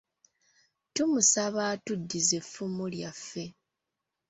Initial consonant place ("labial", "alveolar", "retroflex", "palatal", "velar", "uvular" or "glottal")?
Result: alveolar